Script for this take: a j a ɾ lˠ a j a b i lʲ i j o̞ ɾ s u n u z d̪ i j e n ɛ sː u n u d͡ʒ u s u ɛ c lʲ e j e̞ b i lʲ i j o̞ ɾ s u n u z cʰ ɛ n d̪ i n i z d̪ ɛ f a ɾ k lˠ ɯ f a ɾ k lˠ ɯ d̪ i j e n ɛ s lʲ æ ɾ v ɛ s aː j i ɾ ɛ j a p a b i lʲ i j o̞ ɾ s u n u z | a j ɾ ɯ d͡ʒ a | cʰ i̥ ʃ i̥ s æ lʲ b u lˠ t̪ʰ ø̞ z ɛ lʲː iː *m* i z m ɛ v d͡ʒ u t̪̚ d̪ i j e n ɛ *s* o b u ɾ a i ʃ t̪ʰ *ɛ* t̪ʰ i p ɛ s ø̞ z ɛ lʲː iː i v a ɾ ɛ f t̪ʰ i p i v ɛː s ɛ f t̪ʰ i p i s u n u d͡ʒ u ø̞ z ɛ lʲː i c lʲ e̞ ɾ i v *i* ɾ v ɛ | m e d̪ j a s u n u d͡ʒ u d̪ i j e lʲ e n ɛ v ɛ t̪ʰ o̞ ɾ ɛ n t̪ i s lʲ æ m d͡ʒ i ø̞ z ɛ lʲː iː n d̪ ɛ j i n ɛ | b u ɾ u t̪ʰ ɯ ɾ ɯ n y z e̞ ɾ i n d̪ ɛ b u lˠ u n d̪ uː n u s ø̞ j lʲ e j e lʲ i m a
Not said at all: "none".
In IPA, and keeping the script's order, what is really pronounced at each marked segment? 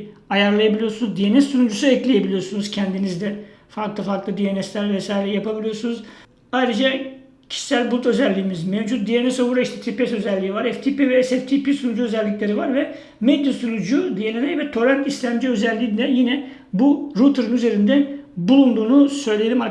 m, s, ɛ, a

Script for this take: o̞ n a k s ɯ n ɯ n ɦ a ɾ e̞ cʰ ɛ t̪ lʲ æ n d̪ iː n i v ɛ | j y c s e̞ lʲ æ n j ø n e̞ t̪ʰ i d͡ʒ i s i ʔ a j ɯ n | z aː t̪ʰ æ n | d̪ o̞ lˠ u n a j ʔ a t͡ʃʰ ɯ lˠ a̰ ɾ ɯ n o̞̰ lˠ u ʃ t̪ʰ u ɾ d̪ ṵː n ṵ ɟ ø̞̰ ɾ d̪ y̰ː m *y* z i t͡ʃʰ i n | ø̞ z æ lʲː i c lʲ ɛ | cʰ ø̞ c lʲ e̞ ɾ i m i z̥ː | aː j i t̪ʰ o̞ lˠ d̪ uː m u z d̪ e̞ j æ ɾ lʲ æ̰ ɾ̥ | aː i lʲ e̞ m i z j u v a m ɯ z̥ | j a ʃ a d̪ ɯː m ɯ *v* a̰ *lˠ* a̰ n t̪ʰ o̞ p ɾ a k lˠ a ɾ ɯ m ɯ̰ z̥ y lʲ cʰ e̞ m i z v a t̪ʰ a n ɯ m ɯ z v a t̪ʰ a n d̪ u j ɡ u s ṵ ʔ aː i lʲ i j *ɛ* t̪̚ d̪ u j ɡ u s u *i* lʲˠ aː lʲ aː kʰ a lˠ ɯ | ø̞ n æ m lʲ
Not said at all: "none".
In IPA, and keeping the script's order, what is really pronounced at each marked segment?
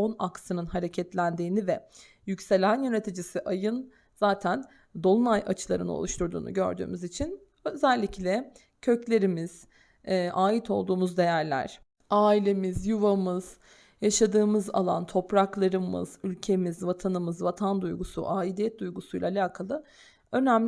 y, z, lˠ, ɛ, j

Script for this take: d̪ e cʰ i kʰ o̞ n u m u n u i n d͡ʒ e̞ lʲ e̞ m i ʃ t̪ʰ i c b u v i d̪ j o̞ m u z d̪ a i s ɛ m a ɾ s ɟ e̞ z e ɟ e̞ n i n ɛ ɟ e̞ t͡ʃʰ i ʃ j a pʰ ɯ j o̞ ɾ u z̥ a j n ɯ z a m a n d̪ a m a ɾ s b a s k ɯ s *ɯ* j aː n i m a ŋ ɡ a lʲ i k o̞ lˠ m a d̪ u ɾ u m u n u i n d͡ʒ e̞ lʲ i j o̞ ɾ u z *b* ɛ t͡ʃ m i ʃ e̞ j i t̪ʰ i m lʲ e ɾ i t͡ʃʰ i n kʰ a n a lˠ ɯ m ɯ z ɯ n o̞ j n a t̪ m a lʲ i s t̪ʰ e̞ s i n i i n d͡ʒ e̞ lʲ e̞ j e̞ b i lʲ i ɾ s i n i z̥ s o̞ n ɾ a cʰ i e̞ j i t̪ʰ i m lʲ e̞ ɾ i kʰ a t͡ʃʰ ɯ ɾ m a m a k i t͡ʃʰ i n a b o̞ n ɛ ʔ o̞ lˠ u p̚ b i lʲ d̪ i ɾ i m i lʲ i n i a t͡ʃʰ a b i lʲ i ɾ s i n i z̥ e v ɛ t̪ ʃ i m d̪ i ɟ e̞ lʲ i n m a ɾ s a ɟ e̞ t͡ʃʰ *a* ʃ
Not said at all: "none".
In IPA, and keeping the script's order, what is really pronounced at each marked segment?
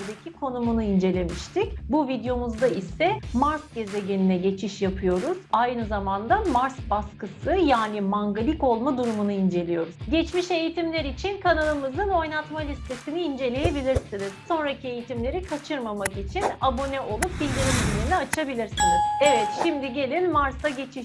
ɯ, ɟ, i

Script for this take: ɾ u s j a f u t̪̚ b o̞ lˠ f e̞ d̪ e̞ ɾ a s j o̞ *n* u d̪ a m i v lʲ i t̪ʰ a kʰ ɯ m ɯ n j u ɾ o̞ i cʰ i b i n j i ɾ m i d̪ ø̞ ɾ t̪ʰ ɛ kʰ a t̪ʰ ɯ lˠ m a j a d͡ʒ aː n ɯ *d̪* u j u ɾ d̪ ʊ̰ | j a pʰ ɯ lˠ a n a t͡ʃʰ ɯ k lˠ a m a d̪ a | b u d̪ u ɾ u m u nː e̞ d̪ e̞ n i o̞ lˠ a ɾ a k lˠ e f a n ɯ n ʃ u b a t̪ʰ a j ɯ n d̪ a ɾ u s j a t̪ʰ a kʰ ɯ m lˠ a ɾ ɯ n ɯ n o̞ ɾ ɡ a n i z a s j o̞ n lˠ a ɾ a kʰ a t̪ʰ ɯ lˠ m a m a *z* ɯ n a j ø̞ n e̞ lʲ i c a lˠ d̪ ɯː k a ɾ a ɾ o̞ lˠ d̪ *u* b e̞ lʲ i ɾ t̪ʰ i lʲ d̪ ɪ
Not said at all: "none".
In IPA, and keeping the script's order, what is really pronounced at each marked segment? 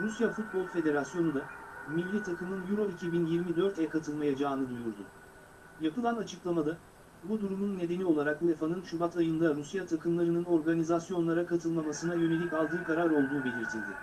n, d̪, s, uː

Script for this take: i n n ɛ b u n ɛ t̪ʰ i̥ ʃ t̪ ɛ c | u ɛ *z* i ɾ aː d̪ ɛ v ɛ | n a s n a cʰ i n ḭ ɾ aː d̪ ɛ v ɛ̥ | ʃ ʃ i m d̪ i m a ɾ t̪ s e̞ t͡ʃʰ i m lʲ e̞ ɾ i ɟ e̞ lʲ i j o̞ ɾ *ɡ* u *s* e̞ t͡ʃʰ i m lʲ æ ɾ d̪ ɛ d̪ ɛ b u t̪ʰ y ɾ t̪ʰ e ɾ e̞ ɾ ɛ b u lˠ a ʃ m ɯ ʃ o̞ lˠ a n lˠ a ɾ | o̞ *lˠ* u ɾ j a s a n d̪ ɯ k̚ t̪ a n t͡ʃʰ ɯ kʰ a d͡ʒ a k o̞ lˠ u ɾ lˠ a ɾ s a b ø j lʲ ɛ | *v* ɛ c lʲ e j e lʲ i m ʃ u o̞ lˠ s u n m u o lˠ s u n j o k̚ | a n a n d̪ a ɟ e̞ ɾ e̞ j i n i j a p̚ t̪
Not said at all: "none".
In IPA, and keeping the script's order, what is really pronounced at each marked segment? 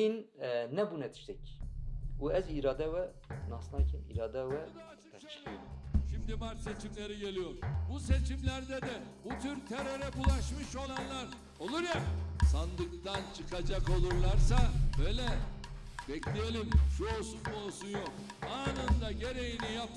z, b, s, lˠ, b

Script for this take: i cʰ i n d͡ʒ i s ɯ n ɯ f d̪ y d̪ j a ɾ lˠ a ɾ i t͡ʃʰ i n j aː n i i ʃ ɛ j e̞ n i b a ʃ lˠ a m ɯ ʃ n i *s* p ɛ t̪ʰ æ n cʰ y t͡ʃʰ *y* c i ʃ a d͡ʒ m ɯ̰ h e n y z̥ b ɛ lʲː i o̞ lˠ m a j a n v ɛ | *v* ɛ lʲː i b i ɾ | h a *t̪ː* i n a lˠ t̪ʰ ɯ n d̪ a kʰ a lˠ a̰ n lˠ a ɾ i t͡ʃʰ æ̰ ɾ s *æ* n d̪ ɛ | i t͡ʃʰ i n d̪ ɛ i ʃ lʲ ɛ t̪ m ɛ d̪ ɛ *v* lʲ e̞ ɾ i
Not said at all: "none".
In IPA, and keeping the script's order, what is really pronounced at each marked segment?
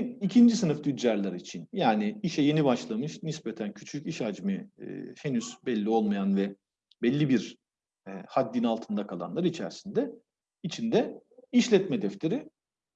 s, y, b, d̪ː, i, f

